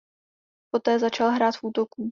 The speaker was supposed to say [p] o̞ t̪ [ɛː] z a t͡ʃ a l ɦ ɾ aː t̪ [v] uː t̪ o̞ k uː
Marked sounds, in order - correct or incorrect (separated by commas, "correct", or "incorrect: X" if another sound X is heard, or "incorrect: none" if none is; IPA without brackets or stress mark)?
correct, correct, incorrect: f